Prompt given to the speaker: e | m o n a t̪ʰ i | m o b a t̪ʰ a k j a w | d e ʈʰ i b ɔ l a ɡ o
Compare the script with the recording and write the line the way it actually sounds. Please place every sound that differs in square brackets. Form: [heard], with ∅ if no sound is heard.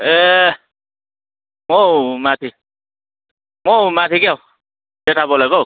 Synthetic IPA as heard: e | m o [m] a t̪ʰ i | m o [m] a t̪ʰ [i] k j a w | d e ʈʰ [a] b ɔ l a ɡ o